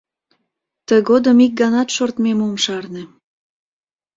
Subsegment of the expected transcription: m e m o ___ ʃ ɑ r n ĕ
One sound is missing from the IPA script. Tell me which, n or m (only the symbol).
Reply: m